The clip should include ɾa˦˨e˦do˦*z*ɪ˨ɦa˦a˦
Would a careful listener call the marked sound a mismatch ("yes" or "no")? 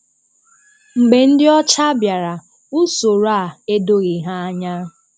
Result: yes